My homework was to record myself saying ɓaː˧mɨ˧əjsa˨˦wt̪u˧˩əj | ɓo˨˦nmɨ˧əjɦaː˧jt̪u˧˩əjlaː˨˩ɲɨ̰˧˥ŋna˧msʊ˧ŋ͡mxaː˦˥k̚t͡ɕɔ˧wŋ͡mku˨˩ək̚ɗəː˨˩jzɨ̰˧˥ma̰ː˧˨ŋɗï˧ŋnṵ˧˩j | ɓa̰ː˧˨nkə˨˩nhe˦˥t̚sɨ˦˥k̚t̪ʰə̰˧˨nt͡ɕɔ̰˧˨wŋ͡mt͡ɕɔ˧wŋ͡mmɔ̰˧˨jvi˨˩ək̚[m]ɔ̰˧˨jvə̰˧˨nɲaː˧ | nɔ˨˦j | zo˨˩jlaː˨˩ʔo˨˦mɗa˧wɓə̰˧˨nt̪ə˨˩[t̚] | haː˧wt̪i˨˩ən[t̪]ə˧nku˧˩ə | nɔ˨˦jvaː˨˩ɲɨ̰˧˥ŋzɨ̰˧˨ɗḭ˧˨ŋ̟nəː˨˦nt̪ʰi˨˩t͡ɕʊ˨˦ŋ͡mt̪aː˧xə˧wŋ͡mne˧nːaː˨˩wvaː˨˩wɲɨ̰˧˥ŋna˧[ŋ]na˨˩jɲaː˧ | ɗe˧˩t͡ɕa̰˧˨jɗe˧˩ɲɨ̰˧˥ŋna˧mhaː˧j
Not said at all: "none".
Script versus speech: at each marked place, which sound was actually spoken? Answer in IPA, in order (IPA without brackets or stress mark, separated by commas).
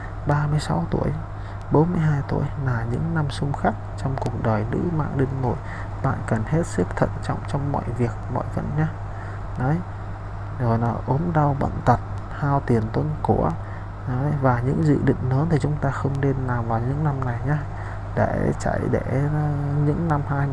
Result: m, t̚, t̪, m